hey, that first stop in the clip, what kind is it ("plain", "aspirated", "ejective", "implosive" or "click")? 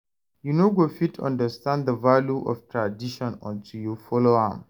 plain